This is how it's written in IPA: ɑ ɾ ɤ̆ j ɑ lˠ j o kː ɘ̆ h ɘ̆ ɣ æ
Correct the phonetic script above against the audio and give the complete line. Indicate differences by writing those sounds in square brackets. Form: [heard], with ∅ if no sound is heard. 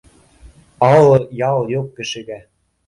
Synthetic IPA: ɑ [l] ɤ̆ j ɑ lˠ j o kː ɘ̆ [ʃ] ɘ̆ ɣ æ